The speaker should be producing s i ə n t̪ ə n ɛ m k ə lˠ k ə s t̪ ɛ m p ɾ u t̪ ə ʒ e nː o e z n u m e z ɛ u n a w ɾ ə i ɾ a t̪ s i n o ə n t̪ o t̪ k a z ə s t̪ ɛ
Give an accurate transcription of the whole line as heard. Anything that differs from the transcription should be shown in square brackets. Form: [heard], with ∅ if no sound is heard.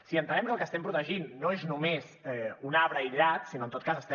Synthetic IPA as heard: s i ə n t̪ ə n ɛ m k ə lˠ k ə s t̪ ɛ m p ɾ u t̪ ə ʒ [i] nː o e z n u m e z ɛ u n a [β] ɾ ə i [ʎ] a t̪ s i n o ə n t̪ o t̪ k a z ə s t̪ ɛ